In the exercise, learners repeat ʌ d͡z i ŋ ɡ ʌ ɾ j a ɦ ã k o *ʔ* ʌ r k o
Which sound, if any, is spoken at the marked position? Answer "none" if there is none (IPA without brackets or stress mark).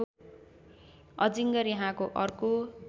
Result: ʔ